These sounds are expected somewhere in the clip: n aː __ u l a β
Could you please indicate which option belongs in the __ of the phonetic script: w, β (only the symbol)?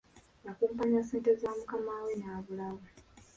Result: β